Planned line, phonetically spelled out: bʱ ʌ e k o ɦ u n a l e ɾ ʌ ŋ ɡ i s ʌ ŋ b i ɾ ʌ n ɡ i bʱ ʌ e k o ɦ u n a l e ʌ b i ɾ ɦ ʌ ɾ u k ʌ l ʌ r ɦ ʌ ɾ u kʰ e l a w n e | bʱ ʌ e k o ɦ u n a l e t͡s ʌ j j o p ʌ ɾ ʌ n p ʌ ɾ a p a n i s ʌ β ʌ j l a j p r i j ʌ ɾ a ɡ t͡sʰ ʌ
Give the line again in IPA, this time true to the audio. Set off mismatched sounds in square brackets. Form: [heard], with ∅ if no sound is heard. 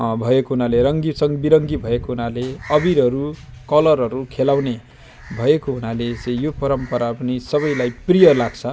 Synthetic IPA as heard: bʱ ʌ e k o ɦ u n a l e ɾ ʌ ŋ ɡ i s ʌ ŋ b i ɾ ʌ [ŋ] ɡ i bʱ ʌ e k o ɦ u n a l e ʌ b i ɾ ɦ ʌ ɾ u k ʌ l ʌ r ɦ ʌ ɾ u kʰ e l a w n e | bʱ ʌ e k o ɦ u n a l e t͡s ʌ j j o p ʌ ɾ ʌ [m] p ʌ ɾ a p [ʌ] n i s ʌ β ʌ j l a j p r i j ʌ [l] a ɡ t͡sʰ ʌ

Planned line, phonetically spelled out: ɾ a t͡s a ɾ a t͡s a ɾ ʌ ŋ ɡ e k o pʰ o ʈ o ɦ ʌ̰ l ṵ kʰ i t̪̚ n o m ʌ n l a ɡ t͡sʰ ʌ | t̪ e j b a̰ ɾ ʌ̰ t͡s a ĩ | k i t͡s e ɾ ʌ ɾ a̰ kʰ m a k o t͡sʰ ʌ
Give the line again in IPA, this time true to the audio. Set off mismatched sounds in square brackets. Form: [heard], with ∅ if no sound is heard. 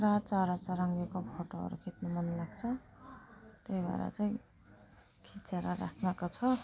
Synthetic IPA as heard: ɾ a t͡s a ɾ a t͡s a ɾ ʌ ŋ ɡ e k o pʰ o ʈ o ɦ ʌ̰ [ɾ] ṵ kʰ i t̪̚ n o m ʌ n l a ɡ t͡sʰ ʌ | t̪ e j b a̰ ɾ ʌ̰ t͡s a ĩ | [kʰ] i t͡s e ɾ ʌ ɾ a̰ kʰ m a k o t͡sʰ ʌ

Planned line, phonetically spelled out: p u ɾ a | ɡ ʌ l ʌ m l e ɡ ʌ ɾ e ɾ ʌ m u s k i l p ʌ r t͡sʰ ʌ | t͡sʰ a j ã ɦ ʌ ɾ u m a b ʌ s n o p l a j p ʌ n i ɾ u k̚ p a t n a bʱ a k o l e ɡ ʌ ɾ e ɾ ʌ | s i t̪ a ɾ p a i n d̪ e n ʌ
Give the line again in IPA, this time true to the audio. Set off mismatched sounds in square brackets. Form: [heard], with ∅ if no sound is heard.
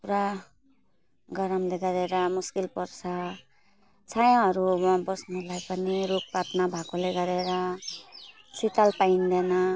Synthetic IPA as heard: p u ɾ a | ɡ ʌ [ɾ] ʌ m l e ɡ ʌ ɾ e ɾ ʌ m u s k i l p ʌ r t͡sʰ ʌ | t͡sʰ a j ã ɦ ʌ ɾ u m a b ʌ s n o [∅] l a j p ʌ n i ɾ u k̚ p a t n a bʱ a k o l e ɡ ʌ ɾ e ɾ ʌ | s i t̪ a [l] p a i n d̪ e n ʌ

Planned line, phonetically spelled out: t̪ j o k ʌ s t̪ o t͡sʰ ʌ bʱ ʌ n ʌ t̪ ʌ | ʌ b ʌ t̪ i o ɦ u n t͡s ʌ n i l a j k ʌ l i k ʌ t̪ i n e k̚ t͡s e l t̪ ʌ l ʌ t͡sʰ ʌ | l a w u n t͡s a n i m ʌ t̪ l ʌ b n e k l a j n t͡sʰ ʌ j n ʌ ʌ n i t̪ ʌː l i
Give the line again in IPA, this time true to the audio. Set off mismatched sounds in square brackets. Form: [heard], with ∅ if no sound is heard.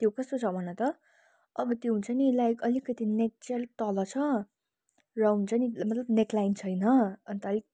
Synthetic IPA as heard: t̪ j o k ʌ s t̪ o t͡sʰ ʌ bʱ ʌ n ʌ t̪ ʌ | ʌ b ʌ t̪ [j] o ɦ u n t͡s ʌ n i l a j k ʌ l i k ʌ t̪ i n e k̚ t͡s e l t̪ ʌ l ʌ t͡sʰ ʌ | [r] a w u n t͡s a n i m ʌ t̪ l ʌ b n e k l a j n t͡sʰ ʌ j n ʌ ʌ n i t̪ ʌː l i

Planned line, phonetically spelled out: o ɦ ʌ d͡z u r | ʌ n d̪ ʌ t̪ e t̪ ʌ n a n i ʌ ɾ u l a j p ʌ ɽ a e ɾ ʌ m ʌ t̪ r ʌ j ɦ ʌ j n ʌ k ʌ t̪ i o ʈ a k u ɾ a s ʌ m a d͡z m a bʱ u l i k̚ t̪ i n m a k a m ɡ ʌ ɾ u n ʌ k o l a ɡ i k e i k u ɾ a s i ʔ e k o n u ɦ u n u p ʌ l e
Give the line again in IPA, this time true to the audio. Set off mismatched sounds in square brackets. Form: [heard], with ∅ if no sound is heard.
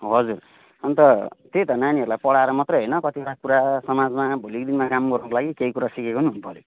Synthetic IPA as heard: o ɦ ʌ d͡z u r | ʌ n [t̪] ʌ t̪ e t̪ ʌ n a n i ʌ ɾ u l a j p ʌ ɽ a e ɾ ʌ m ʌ t̪ r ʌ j ɦ ʌ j n ʌ k ʌ t̪ i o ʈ a k u ɾ a s ʌ m a d͡z m a bʱ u l i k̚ [d̪] i n m a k a m ɡ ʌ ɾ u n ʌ k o l a ɡ i k e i k u ɾ a s i [k] e k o n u ɦ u n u p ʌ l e

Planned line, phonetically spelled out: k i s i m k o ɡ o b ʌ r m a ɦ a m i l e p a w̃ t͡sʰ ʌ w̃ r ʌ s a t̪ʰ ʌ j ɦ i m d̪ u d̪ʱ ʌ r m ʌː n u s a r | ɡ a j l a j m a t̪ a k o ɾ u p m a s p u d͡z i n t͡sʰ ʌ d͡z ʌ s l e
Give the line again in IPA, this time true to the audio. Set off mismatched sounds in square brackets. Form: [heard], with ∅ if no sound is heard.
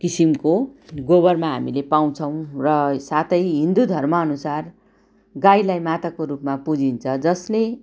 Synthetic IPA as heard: k i s i m k o ɡ o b ʌ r m a ɦ a m i l e p a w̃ t͡sʰ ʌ w̃ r ʌ s a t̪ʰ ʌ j ɦ i [n] d̪ u d̪ʱ ʌ r m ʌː n u s a r | ɡ a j l a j m a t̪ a k o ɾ u p m a [∅] p u d͡z i n t͡sʰ ʌ d͡z ʌ s l e

